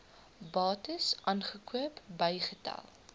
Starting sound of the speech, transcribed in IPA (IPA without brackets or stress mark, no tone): b